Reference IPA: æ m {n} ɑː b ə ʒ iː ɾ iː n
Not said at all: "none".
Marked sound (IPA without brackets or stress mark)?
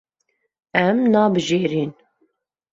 n